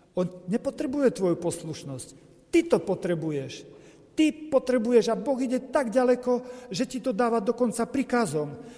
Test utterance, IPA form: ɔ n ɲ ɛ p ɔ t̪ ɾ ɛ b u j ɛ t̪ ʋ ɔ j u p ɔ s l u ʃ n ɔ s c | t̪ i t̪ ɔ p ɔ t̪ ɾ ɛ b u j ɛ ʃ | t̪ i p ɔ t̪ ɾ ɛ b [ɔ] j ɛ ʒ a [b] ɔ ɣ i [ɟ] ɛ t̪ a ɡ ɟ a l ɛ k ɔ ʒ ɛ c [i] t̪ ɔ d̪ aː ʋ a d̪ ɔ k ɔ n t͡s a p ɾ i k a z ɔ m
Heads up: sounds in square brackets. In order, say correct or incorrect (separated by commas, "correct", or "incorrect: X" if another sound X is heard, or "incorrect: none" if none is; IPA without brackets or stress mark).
incorrect: u, correct, correct, correct